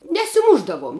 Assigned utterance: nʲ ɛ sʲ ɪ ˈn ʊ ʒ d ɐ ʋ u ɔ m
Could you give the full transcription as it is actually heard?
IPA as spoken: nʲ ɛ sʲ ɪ ˈm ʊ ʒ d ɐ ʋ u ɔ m